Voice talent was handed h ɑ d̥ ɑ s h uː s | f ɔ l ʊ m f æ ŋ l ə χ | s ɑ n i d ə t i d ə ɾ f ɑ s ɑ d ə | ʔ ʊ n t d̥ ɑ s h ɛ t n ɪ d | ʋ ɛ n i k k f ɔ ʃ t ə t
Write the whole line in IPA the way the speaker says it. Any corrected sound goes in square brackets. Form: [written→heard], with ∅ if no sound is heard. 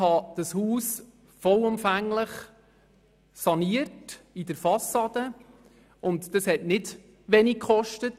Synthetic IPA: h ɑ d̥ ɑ s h uː s | f ɔ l ʊ m f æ ŋ l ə χ | s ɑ n i [d→∅] ə t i d ə ɾ f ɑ s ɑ d ə | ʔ ʊ n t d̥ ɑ s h ɛ t n ɪ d | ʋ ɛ n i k k [f→χ] ɔ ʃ t ə t

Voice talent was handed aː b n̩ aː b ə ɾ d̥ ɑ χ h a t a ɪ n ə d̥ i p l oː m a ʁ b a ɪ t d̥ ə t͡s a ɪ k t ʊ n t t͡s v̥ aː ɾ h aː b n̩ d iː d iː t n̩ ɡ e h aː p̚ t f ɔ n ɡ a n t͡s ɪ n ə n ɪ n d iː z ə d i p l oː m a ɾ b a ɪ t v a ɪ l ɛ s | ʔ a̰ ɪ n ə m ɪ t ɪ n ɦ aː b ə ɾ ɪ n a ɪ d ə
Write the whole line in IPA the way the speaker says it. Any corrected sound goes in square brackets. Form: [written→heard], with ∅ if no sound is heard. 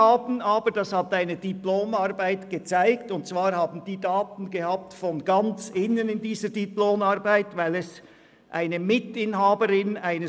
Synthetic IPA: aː b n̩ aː b ə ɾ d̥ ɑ [χ→s] h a t a ɪ n ə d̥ i p l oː m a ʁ b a ɪ t [d̥→ɡ̥] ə t͡s a ɪ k t ʊ n t t͡s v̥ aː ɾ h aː b n̩ d iː d [iː→aː] t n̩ ɡ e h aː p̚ t f ɔ n ɡ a n t͡s ɪ n ə n ɪ n d iː z ə d i p l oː m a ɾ b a ɪ t v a ɪ l ɛ s | ʔ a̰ ɪ n ə m ɪ t ɪ n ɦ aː b ə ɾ ɪ n a ɪ [d→n] ə

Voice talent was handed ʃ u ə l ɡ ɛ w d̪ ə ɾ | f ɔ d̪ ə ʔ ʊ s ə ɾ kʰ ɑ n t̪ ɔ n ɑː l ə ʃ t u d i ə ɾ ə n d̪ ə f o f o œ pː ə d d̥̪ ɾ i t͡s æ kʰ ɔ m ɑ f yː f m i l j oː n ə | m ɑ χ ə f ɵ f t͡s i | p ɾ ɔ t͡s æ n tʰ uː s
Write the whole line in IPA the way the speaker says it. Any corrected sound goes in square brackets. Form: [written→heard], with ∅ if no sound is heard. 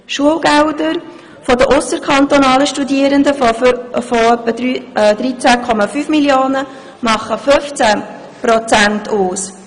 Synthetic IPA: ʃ u ə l ɡ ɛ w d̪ ə ɾ | f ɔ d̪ ə ʔ ʊ s ə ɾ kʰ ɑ n t̪ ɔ n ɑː l ə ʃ t u d i ə ɾ ə n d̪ ə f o f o œ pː ə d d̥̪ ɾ i t͡s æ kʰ ɔ m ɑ f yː f m i l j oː n ə | m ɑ χ ə f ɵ f t͡s [i→æ] | p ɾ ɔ t͡s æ n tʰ uː s

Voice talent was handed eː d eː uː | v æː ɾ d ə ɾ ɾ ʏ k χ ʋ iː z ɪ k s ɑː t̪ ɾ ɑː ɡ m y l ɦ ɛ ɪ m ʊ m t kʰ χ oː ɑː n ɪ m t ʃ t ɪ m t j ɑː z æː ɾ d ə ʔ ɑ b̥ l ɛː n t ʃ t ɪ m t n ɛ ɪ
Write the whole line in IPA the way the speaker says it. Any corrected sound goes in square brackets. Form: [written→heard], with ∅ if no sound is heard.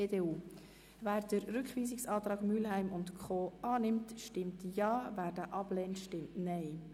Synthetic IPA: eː d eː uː | v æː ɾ d ə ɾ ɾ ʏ k χ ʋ iː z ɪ k s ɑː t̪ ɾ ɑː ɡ m y l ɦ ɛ ɪ m ʊ [m→n] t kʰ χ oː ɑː n ɪ m t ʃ t ɪ m t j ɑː [z→v] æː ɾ d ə ʔ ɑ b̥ l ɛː n t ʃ t ɪ m t n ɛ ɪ

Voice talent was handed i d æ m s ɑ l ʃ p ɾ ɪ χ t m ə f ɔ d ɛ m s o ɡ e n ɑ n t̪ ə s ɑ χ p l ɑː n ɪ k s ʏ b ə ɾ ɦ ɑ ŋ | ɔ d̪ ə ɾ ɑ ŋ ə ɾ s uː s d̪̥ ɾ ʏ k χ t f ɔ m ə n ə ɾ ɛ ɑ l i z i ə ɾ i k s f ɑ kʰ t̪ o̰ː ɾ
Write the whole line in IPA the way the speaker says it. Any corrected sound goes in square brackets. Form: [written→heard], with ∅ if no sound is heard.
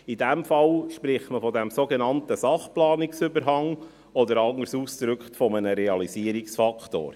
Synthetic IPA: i d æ m [s→f] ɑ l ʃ p ɾ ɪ χ t m ə f ɔ d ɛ m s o ɡ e n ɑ n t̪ ə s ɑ χ p l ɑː n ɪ k s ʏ b ə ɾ ɦ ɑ ŋ | ɔ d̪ ə ɾ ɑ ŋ ə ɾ s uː s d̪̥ ɾ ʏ k χ t f ɔ m ə n ə ɾ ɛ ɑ l i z i ə ɾ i k s f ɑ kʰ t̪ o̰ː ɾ

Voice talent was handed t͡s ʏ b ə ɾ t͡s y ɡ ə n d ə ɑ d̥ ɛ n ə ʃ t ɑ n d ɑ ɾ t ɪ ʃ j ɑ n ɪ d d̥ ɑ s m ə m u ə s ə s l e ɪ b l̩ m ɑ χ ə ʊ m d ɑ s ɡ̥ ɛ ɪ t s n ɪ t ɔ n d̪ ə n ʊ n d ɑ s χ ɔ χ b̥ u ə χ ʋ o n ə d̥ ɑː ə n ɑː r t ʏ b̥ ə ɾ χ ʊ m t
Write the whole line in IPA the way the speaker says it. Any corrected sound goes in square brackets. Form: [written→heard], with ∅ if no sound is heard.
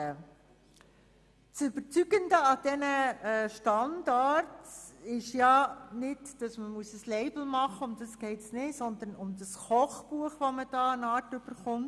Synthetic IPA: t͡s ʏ b ə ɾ t͡s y ɡ ə n d ə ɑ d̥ ɛ n ə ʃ t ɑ n d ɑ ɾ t ɪ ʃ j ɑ n ɪ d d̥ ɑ s m ə m u ə s ə s l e ɪ b l̩ m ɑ χ ə ʊ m d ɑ s ɡ̥ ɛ ɪ t s n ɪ [t→s] ɔ n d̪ ə n ʊ [n→m] d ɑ s χ ɔ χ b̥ u ə χ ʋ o [n→m] ə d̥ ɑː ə n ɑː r t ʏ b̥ ə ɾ χ ʊ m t

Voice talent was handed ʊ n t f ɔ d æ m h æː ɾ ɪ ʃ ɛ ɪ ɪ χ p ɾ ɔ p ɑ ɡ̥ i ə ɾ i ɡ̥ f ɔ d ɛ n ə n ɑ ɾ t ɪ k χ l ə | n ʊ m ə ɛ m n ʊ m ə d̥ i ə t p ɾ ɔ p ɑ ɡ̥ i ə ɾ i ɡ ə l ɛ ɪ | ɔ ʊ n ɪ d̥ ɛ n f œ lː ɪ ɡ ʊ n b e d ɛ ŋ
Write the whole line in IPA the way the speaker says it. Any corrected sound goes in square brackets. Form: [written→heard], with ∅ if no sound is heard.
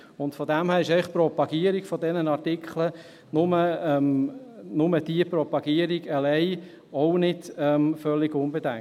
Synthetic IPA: ʊ n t f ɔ d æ m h æː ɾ ɪ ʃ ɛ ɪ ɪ χ p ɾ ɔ p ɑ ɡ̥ i ə ɾ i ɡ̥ f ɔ d ɛ n ə n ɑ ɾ t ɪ k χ l ə | n ʊ m ə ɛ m n ʊ m ə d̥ i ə [t→∅] p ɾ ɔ p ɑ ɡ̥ i ə ɾ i ɡ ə l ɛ ɪ | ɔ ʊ n ɪ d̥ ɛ [n→m] f œ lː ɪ ɡ ʊ n b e d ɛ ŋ

